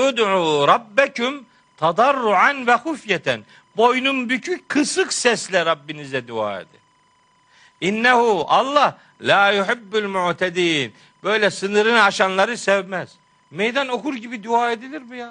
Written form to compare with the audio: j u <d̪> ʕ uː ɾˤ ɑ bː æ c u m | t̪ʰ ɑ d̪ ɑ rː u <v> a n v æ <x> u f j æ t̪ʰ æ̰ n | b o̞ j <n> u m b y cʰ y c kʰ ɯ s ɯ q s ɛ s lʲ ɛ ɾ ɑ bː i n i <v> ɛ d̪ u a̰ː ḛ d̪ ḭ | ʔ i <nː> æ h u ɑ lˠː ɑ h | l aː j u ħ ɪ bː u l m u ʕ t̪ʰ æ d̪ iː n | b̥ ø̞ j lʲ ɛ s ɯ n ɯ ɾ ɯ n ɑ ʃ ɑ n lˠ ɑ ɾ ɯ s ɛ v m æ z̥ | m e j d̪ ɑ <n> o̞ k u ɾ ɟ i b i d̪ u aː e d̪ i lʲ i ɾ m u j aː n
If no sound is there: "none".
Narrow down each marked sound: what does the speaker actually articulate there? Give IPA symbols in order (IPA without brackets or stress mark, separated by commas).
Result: d̪, ʕ, x, n, z, nː, n